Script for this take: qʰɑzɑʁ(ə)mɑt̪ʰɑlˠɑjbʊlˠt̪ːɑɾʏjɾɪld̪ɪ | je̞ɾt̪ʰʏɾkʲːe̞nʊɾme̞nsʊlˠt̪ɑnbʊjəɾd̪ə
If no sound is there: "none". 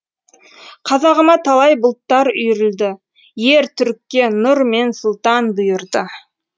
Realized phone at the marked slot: ə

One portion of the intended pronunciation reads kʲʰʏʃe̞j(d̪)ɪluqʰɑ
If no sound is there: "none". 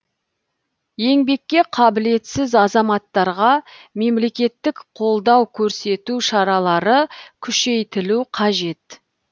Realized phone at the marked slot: t̪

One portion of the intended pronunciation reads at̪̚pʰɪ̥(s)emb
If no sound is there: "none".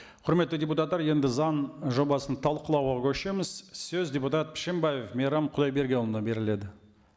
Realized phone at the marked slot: ʃ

